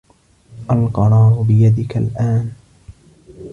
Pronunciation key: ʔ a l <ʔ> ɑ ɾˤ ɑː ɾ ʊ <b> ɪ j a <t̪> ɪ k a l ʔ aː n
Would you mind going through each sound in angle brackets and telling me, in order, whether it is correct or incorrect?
incorrect, correct, incorrect

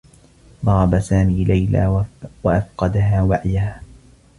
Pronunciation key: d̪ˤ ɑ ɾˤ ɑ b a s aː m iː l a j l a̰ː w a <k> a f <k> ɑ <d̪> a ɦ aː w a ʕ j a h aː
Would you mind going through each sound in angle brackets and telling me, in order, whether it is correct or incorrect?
incorrect, incorrect, correct

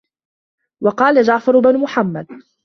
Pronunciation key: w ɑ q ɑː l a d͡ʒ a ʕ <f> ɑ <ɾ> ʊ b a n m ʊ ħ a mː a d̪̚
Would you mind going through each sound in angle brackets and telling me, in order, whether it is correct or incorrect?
correct, correct

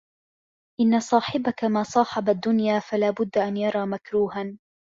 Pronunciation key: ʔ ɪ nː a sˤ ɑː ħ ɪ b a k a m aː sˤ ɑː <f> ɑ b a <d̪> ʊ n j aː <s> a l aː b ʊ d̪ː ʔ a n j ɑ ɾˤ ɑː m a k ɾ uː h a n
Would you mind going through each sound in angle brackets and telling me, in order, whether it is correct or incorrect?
incorrect, incorrect, incorrect

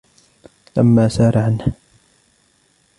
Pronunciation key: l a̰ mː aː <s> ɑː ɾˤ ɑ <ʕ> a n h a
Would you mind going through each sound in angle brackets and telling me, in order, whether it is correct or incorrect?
correct, correct

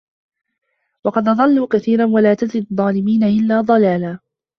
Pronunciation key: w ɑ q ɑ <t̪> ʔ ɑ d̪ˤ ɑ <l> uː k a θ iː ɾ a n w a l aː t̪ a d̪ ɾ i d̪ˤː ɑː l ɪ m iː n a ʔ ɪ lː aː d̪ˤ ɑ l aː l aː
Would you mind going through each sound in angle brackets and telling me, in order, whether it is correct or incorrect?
incorrect, incorrect

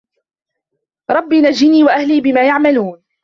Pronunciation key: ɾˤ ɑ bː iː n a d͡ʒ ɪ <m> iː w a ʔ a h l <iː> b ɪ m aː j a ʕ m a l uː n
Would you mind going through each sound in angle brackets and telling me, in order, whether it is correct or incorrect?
incorrect, correct

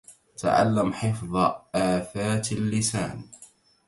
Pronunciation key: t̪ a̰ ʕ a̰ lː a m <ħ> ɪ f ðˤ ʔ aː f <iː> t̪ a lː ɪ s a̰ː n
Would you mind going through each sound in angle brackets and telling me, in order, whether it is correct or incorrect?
correct, incorrect

